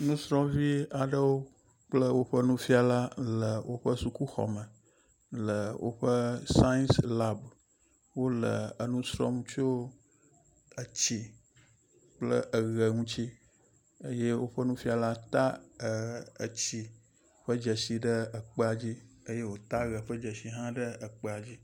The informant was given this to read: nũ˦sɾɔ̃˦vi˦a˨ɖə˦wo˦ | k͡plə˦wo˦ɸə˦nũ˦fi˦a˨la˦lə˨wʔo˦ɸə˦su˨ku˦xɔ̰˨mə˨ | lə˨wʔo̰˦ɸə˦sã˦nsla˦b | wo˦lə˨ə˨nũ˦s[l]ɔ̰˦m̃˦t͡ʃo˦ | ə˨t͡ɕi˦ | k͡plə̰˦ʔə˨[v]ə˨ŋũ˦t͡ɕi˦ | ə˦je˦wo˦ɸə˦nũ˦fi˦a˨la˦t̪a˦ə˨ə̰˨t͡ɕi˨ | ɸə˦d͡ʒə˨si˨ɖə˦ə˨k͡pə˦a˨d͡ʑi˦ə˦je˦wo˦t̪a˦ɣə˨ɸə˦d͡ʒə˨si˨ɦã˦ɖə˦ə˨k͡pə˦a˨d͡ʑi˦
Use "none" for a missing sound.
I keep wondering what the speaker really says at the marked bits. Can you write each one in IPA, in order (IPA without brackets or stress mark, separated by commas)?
ɾ, ɣ